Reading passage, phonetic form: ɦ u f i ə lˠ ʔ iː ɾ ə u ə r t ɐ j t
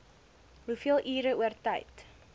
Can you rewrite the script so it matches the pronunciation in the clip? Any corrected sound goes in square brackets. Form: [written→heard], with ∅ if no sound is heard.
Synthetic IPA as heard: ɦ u f i ə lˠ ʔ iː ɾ ə u ə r t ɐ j t